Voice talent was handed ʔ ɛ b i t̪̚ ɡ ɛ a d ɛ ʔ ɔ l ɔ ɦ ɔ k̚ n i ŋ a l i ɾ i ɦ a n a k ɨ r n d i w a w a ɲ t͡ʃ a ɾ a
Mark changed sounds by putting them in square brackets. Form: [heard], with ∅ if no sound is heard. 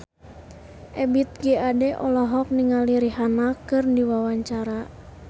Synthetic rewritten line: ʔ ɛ b i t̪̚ ɡ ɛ a d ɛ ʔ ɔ l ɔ ɦ ɔ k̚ n i ŋ a l i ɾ i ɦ a n a k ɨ r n d i w a w a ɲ t͡ʃ a ɾ a